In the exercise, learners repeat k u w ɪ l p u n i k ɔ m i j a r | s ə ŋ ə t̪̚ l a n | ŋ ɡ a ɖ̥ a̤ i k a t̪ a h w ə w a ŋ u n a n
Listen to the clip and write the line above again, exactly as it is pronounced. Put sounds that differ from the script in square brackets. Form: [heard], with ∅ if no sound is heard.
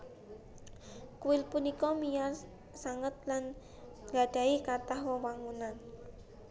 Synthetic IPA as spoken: k u w ɪ l p u n i k ɔ m i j a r | s [a] ŋ ə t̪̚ l a n | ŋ ɡ a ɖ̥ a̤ i k a t̪ a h w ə w a ŋ u n a n